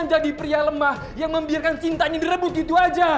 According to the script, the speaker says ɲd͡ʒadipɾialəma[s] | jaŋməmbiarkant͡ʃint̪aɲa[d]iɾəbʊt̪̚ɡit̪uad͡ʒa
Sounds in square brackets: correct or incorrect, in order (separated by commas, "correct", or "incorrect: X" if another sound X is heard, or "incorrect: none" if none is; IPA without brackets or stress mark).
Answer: incorrect: h, correct